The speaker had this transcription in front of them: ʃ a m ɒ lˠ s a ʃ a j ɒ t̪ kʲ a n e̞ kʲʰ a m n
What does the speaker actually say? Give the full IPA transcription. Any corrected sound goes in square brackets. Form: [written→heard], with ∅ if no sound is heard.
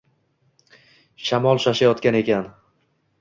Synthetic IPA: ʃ a m ɒ lˠ [s→ʃ] a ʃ a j ɒ t̪ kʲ a n e̞ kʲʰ a [m→∅] n